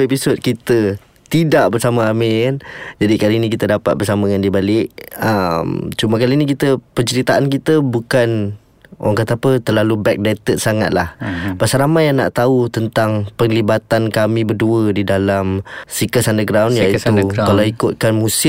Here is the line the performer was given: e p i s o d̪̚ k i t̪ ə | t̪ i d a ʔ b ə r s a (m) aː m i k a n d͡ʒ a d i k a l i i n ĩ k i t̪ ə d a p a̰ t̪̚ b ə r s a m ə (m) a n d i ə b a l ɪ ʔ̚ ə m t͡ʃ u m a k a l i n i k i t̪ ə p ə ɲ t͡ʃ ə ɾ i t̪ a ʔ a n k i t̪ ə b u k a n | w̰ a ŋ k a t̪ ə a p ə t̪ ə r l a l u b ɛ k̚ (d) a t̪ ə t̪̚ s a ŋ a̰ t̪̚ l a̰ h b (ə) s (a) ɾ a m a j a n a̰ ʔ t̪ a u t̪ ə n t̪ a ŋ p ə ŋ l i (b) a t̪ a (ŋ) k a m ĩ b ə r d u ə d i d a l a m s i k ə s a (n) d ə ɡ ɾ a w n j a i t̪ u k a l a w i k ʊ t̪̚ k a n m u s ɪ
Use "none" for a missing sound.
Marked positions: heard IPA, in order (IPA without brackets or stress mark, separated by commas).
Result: m, ŋ, d, a, a, b, n, n